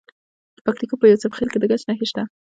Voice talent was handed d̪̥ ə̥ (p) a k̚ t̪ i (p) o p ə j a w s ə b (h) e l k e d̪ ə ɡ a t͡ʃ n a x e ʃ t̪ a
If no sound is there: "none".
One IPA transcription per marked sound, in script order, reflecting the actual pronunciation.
p, k, x

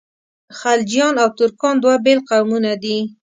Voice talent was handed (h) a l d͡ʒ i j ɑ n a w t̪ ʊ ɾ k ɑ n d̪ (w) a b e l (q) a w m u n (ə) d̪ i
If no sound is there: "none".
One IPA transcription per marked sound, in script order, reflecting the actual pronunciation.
x, w, q, a

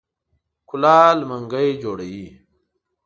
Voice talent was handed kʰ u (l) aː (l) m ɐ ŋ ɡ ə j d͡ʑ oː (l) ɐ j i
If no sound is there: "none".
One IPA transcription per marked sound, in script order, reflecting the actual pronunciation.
l, l, ɽ

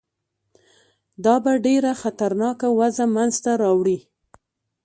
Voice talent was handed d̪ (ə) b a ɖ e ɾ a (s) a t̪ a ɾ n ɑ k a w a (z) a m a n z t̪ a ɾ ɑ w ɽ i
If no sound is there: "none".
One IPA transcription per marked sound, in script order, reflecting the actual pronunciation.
ɑ, x, z

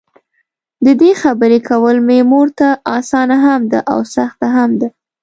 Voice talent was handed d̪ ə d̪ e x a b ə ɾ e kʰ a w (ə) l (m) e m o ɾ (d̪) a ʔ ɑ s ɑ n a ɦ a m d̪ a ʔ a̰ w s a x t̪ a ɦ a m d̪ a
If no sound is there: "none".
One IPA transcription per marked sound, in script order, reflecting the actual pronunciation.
ə, m, t̪

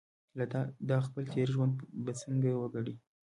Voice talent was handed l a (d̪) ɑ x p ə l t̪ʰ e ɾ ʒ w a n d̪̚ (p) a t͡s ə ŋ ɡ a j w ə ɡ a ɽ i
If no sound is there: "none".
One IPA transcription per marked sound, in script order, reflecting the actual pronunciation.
d̪, b

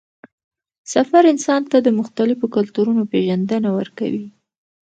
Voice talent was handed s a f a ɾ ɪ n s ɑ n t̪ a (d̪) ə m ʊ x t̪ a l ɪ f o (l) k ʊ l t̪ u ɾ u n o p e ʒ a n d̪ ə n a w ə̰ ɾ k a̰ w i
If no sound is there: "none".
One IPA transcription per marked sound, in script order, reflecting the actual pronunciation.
d̪, none

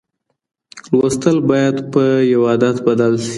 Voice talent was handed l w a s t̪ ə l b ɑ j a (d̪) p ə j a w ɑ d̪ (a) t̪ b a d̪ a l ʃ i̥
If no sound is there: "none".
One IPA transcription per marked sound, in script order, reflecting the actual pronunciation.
d̪, a

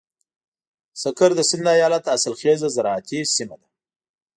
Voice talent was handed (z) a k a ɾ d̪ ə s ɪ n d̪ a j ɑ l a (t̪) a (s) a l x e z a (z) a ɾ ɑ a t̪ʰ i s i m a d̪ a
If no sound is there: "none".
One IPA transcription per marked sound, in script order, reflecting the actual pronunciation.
s, t̪, s, z

